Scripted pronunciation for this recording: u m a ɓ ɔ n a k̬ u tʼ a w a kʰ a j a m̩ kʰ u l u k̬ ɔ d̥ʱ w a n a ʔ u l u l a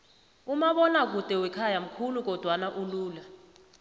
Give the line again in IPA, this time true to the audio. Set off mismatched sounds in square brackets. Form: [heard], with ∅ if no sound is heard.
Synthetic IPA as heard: u m a ɓ ɔ n a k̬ u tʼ [ɛ] w [ɛ] kʰ a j a m̩ kʰ u l u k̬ ɔ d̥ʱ w a n a ʔ u l [uː] l a